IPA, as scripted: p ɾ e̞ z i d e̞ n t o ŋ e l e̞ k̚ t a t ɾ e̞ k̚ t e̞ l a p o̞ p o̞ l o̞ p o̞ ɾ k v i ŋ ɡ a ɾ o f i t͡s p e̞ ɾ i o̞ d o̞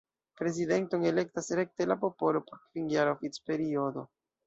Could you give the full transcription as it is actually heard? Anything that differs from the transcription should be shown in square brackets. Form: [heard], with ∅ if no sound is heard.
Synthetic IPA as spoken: p ɾ e̞ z i d e̞ n t o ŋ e l e̞ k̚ t a [s] ɾ e̞ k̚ t e̞ l a p o̞ p o̞ l o̞ p o̞ ɾ k v i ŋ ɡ a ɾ o f i t͡s p e̞ ɾ i o̞ d o̞